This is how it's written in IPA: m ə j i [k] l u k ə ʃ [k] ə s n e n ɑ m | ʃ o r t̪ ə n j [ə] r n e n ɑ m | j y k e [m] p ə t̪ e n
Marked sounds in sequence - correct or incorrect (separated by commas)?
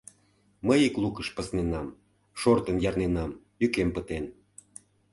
correct, incorrect, incorrect, correct